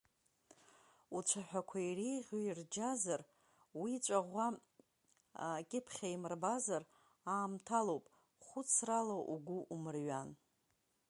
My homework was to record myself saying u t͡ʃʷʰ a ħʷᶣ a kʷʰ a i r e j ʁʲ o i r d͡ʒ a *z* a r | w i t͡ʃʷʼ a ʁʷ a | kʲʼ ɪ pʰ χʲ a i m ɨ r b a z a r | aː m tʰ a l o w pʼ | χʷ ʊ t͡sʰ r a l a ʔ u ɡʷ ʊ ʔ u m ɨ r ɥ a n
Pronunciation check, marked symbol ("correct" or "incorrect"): correct